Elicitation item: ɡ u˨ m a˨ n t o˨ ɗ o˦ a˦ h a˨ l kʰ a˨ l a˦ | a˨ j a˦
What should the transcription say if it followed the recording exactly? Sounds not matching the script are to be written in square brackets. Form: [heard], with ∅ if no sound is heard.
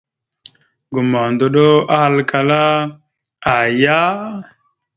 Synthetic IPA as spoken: ɡ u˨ m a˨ n [d] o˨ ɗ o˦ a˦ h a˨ l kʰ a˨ l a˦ | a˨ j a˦